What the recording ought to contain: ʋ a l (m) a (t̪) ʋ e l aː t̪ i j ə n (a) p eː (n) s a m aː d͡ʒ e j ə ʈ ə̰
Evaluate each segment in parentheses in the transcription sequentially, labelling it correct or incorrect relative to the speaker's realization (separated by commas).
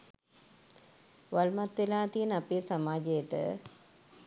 correct, correct, correct, incorrect